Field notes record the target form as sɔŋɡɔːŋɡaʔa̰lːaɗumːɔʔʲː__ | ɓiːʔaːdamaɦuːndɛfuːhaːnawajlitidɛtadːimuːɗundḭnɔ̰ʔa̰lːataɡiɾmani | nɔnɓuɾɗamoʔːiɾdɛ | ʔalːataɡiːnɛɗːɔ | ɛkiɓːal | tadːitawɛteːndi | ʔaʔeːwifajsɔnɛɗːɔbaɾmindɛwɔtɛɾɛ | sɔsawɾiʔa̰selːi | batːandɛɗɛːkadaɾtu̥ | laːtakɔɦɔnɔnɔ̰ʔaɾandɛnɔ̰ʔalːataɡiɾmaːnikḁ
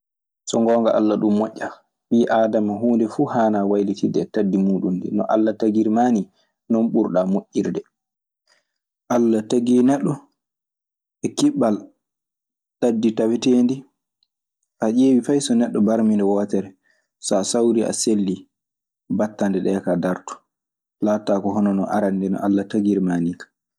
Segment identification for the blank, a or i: a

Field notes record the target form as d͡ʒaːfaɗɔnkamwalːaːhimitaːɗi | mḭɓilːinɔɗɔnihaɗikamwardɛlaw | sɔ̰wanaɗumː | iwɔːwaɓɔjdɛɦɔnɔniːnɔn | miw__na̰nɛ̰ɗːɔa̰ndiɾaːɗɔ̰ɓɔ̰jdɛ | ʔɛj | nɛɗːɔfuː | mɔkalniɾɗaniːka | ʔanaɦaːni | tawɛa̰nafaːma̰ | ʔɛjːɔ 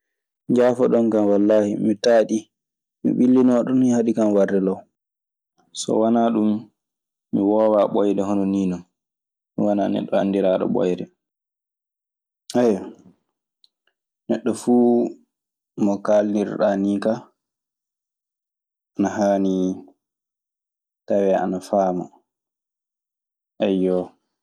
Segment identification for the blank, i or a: a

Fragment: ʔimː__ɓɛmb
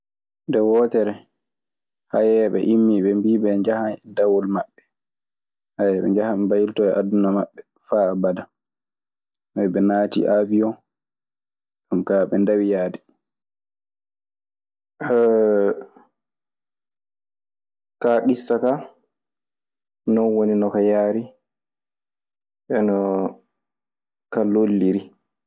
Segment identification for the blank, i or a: i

